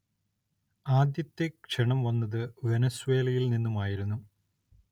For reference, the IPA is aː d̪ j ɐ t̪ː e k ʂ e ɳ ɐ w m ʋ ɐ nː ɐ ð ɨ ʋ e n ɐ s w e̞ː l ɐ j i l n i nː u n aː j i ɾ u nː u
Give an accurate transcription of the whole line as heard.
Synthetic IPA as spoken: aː d̪ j ɐ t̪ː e k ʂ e ɳ ɐ m ʋ ɐ nː ɐ ð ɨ ʋ e n ɐ s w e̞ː l ɐ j i l n i nː u m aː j i ɾ u nː u